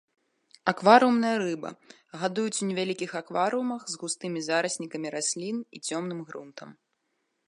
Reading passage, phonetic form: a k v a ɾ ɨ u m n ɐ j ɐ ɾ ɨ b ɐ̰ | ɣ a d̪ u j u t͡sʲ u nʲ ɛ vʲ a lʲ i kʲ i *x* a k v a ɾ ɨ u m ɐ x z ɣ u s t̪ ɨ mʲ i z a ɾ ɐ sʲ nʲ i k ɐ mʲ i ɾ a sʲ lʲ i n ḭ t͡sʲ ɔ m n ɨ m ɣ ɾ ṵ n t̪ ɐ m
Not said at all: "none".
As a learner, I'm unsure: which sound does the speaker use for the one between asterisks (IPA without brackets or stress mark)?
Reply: x